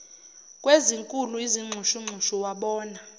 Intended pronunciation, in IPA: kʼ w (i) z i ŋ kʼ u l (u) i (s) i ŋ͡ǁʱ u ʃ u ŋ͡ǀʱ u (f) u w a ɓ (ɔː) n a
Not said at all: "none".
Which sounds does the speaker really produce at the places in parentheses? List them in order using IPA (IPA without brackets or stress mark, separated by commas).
e, u, z, ʃ, ɔː